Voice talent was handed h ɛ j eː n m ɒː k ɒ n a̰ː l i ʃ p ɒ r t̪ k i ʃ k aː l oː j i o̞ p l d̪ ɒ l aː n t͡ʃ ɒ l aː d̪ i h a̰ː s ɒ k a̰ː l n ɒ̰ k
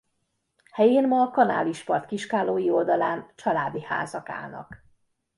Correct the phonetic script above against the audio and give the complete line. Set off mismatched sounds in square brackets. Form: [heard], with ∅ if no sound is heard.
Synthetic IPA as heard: h ɛ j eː n m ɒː k ɒ n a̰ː l i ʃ p ɒ r t̪ k i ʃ k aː l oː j i o̞ [∅] l d̪ ɒ l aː n t͡ʃ ɒ l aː d̪ i h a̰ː [z] ɒ k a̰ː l n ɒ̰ k